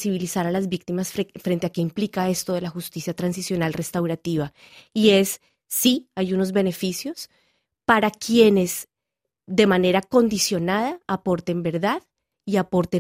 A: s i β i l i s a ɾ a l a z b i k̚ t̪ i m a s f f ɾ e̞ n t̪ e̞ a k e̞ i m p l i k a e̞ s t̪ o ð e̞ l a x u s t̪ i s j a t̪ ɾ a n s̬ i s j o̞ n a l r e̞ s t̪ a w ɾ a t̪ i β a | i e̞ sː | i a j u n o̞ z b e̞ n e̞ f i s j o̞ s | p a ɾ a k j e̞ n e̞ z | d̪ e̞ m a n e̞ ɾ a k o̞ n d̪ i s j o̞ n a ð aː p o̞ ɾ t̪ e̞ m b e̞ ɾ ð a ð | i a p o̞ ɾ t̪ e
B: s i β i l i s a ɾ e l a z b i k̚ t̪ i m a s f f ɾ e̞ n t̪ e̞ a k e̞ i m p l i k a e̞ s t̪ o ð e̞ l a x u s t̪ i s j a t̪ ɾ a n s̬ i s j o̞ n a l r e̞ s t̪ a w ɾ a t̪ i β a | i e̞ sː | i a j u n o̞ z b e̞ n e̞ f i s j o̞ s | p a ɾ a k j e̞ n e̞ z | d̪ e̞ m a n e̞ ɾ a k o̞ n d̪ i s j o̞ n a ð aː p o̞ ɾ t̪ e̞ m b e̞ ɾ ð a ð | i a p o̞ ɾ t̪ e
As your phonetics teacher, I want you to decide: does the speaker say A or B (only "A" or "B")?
A